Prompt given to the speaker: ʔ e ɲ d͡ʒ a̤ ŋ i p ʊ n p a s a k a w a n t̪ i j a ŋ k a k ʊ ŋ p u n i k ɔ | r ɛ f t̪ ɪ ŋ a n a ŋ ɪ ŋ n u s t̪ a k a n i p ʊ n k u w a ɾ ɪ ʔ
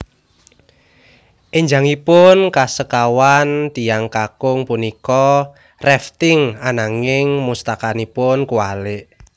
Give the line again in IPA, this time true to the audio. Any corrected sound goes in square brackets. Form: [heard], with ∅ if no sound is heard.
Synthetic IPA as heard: ʔ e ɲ d͡ʒ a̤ ŋ i p ʊ n [k] a s [ə] k a w a n t̪ i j a ŋ k a k ʊ ŋ p u n i k ɔ | r ɛ f t̪ ɪ ŋ a n a ŋ ɪ ŋ [m] u s t̪ a k a n i p ʊ n k u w a [l] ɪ ʔ